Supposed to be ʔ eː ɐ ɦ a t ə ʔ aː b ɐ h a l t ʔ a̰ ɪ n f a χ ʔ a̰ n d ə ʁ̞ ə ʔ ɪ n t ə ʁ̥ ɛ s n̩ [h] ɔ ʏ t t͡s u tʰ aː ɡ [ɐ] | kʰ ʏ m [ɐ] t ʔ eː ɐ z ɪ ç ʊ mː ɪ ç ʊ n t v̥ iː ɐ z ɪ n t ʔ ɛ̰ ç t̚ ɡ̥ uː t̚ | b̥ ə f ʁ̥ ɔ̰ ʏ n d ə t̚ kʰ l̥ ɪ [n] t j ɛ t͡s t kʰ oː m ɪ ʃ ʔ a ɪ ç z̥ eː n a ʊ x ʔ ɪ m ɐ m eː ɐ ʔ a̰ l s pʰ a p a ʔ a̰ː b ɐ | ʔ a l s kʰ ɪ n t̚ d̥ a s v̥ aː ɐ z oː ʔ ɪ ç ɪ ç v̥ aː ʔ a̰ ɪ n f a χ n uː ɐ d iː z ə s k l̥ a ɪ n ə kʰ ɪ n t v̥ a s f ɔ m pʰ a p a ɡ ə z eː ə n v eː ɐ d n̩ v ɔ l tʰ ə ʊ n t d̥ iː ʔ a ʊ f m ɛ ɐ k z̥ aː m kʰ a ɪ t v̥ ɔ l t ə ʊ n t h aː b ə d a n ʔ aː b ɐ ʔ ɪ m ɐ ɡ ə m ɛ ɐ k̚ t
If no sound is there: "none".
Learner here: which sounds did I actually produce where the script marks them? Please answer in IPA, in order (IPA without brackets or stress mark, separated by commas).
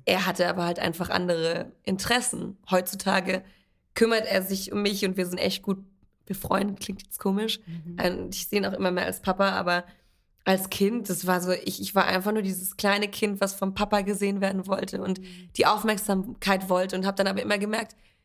h, ə, ɐ, ŋ